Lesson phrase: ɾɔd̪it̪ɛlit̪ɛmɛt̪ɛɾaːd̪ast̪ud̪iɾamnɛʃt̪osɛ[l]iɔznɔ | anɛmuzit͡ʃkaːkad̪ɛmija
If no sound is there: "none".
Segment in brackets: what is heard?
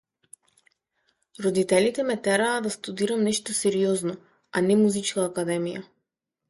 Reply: ɾ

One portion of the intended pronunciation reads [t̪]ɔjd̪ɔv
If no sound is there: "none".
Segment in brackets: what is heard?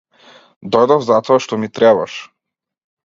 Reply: d̪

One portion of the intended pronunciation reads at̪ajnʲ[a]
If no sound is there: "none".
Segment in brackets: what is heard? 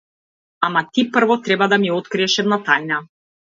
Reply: a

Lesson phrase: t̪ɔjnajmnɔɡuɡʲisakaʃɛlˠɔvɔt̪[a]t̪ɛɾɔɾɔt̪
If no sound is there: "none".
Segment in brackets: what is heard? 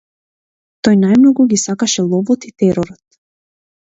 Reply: i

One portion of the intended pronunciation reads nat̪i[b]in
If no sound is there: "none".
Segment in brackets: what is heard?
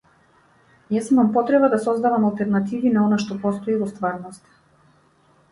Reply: v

